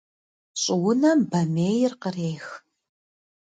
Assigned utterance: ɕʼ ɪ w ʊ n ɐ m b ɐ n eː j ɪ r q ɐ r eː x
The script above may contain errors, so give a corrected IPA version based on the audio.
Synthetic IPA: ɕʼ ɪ w ʊ n ɐ m b ɐ m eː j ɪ r q ə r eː x

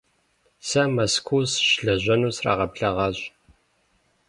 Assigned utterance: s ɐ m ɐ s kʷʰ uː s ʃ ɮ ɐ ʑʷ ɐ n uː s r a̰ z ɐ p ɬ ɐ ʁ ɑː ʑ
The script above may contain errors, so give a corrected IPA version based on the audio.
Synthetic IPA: s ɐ m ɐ s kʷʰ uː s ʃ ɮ ɐ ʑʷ ɐ n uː s r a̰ ʁ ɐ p ɬ ɐ ʁ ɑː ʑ

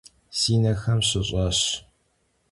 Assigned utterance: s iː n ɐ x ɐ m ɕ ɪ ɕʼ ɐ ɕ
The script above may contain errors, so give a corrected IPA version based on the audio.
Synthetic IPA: s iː n ɐ x ɐ m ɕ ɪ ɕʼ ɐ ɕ

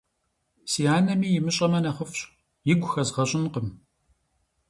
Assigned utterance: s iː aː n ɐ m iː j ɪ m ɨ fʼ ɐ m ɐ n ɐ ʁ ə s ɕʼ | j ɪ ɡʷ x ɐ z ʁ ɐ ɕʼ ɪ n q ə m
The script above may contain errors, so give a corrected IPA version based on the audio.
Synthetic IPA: s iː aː n ɐ m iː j ɪ m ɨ ɕʼ ɐ m ɐ n ɐ χ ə f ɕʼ | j ɪ ɡʷ x ɐ z ʁ ɐ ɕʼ ɪ n q ə m

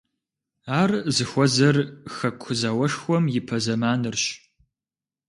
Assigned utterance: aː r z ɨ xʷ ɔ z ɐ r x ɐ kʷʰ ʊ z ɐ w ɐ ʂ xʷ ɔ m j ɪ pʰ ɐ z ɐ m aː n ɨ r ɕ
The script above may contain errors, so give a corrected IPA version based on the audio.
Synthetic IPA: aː r z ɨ xʷ ɔ z ɐ r x ɐ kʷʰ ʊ z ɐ w ɐ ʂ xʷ ɔ m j ɪ pʰ ɐ z ɐ m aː n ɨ r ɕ

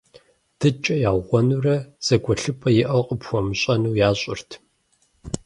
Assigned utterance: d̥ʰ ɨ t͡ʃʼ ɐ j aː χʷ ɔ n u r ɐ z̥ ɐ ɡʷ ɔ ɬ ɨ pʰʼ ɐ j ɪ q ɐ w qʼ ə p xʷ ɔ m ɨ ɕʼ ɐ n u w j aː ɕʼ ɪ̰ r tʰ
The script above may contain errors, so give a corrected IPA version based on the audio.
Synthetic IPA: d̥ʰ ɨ t͡ʃʼ ɐ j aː ʁʷ ɔ n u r ɐ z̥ ɐ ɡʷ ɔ ɬ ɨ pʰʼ ɐ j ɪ ʔ ɐ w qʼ ə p xʷ ɔ m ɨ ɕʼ ɐ n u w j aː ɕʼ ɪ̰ r tʰ

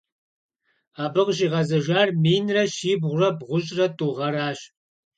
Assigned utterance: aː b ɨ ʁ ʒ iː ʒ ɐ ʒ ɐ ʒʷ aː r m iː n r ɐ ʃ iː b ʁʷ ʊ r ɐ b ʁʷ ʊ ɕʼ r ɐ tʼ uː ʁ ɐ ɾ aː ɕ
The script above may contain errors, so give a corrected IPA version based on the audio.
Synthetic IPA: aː b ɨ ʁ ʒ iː ʁ ɐ z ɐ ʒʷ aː r m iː n r ɐ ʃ iː b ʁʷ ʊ r ɐ b ʁʷ ʊ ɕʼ r ɐ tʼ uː ʁ ɐ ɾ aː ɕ

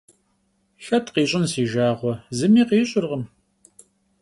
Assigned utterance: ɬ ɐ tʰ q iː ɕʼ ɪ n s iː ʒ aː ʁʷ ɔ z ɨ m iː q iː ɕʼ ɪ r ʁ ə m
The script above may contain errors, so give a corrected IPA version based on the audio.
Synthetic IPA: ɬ ɐ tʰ q iː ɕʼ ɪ n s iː ʒ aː ʁʷ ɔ z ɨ m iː q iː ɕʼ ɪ r ʁ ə m

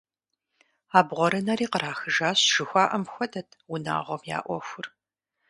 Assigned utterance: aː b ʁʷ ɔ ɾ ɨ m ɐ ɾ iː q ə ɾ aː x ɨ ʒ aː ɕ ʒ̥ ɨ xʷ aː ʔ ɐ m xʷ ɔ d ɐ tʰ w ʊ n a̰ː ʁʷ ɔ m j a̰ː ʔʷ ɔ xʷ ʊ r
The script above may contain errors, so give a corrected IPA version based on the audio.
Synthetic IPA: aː b ʁʷ ɔ ɾ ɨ n ɐ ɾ iː q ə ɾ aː x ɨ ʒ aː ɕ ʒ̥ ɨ xʷ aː ʔ ɐ m xʷ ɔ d ɐ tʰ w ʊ n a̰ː ʁʷ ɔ m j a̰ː ʔʷ ɔ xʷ ʊ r

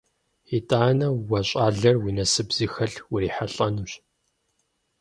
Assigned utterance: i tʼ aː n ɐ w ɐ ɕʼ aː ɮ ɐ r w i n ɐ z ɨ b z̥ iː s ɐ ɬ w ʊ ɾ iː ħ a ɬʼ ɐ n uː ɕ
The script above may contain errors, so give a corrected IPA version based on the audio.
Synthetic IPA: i tʼ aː n ɐ w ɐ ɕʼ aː ɮ ɐ r w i n ɐ s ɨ b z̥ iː x ɐ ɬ w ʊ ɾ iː ħ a ɬʼ ɐ n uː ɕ

